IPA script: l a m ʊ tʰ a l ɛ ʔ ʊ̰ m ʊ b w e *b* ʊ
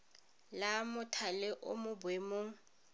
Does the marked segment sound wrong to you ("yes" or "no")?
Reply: yes